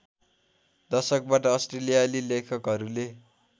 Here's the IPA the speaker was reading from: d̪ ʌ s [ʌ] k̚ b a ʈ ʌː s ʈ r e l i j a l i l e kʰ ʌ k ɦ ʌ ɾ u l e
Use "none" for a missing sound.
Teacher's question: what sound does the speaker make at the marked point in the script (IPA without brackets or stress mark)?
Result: ʌ